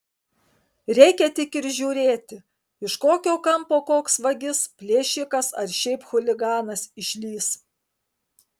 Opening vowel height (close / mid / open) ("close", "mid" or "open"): mid